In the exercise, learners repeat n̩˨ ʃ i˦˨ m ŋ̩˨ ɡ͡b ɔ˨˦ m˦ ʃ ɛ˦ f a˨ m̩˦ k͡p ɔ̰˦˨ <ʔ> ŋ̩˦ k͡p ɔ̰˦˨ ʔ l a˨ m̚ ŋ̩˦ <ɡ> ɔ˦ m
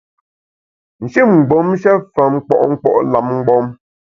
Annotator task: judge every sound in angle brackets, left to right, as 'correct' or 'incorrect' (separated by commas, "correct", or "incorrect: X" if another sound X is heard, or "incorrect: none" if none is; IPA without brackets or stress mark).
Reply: correct, incorrect: ɡ͡b